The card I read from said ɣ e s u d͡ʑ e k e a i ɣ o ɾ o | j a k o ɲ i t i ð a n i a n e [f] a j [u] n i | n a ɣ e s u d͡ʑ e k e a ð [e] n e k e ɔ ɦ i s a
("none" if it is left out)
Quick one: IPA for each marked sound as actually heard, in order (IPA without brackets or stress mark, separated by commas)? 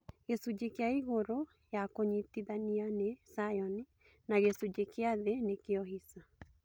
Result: s, ɔ, e